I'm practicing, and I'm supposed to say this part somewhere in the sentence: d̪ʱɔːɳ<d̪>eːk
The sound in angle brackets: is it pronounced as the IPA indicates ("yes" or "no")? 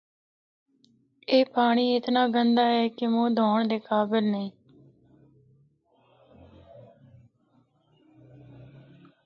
yes